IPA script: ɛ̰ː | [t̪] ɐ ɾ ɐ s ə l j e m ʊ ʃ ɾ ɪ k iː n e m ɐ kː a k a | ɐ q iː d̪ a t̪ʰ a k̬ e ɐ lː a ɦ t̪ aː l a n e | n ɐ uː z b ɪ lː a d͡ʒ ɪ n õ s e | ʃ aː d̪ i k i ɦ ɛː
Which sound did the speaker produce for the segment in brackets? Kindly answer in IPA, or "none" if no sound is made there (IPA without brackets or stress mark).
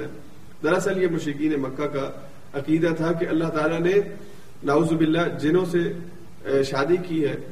d̪